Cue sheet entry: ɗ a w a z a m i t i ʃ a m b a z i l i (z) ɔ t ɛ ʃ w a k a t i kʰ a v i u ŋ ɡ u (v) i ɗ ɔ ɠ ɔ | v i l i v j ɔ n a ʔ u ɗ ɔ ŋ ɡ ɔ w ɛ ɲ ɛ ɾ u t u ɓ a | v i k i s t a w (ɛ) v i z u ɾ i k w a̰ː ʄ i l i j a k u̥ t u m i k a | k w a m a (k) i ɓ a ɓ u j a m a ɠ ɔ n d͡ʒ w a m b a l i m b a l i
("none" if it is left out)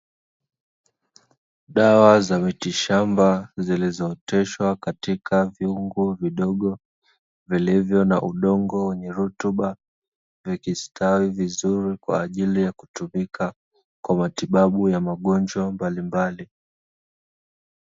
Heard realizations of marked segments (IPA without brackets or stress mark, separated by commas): z, v, i, t